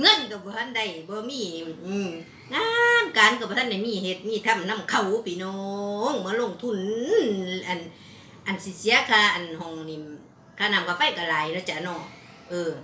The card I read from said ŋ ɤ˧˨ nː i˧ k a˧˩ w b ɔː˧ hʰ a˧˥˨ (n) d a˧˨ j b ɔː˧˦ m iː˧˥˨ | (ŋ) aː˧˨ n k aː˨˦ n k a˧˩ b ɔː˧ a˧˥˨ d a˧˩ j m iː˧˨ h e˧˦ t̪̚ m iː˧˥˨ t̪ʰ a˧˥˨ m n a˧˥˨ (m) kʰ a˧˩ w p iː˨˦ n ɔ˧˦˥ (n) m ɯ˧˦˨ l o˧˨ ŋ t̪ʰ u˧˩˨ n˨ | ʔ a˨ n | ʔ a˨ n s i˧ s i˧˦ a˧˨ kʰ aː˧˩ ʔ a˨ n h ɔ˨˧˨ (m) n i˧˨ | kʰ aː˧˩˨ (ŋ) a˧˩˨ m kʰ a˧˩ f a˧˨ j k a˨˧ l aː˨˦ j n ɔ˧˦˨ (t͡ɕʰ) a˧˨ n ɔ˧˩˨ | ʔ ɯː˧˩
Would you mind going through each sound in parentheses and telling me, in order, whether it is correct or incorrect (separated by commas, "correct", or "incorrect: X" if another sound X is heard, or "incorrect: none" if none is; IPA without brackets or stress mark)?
correct, correct, correct, incorrect: ŋ, incorrect: ŋ, incorrect: n, incorrect: t͡ɕ